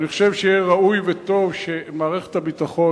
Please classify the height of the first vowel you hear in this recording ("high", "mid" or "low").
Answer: high